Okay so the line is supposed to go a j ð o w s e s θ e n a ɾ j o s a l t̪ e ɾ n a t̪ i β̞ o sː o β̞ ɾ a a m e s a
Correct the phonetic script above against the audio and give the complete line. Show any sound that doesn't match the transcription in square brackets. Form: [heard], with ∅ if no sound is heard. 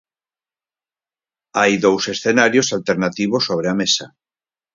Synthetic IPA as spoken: a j ð o w s e s θ e n a ɾ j o s a l t̪ e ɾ n a t̪ i β̞ o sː o β̞ ɾ [e] a m e s a

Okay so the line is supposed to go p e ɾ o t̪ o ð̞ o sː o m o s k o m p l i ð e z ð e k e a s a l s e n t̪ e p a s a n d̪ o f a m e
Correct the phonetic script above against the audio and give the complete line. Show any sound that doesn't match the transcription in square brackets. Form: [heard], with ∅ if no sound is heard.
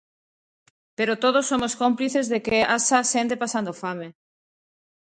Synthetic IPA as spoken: p e ɾ o t̪ o ð̞ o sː o m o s k o m p l i [θ] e z ð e k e a s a [∅] s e n t̪ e p a s a n d̪ o f a m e

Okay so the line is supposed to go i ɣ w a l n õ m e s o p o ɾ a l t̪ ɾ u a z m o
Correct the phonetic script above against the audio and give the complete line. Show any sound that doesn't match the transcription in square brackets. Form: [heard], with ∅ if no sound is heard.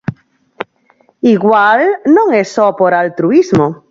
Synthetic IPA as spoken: i ɣ w a l n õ [ŋ] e s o p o ɾ a l t̪ ɾ u [i] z m o

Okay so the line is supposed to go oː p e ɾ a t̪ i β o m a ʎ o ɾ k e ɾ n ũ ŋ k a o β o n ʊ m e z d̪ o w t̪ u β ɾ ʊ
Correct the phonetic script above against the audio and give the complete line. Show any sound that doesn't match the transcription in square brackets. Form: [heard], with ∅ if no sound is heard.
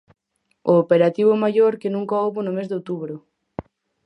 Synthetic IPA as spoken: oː p e ɾ a t̪ i β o m a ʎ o ɾ k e [∅] n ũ ŋ k a o β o n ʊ m e z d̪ o w t̪ u β ɾ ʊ

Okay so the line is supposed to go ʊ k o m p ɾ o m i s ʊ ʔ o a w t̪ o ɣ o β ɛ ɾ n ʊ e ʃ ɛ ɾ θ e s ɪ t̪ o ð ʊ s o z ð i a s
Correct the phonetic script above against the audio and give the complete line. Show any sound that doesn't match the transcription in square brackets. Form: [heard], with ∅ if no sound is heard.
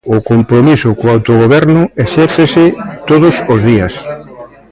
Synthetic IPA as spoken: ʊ k o m p ɾ o m i s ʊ [k] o a w t̪ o ɣ o β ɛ ɾ n ʊ e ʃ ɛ ɾ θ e s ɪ t̪ o ð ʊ s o z ð i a s

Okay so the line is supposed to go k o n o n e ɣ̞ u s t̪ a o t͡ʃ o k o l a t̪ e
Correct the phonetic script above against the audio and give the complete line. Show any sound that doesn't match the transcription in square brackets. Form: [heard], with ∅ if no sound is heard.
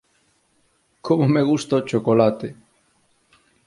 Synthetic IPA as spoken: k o [m] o [m] e ɣ̞ u s t̪ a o t͡ʃ o k o l a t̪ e

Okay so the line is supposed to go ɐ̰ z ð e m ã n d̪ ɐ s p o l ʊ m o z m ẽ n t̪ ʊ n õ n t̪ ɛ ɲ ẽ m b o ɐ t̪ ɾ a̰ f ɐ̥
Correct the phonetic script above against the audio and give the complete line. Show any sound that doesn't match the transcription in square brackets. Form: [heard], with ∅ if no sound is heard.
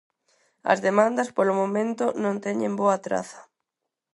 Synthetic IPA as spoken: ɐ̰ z ð e m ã n d̪ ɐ s p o l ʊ m o [∅] m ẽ n t̪ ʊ n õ n t̪ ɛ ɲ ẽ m b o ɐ t̪ ɾ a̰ [θ] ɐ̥

